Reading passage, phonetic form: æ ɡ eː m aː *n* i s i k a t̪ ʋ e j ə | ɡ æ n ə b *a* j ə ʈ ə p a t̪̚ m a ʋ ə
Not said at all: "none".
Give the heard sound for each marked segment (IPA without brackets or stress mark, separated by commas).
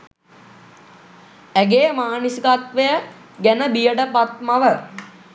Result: n, i